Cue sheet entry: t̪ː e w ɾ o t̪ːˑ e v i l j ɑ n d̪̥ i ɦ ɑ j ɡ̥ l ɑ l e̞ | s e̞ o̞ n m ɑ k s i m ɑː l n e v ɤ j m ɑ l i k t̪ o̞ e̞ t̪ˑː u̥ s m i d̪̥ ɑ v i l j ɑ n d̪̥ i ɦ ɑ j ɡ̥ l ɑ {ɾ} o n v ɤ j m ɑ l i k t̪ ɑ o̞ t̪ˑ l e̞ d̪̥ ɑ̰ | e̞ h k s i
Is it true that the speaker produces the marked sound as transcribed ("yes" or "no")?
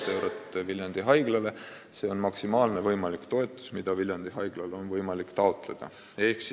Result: no